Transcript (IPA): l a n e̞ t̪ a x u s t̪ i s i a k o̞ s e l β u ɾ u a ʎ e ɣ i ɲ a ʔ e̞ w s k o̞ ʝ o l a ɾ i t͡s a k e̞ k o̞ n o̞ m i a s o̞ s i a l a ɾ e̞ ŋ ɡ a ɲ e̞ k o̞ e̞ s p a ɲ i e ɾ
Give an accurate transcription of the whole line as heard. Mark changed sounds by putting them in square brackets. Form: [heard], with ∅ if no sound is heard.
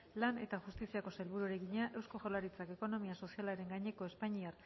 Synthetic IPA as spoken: l a n e̞ t̪ a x u s t̪ i s i a k o̞ s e l β u ɾ u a [ɾ] e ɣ i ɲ a ʔ e̞ w s k o̞ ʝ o l a ɾ i t͡s a k e̞ k o̞ n o̞ m i a s o̞ s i a l a ɾ e̞ ŋ ɡ a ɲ e̞ k o̞ e̞ s p a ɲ i [a] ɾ